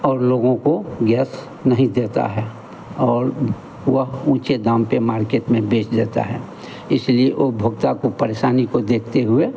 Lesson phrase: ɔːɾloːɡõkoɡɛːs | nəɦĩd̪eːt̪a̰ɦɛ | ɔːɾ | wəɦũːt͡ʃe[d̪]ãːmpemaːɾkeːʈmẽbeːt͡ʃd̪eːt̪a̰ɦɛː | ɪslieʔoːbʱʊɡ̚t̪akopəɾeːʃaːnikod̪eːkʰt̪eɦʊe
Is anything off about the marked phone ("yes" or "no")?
no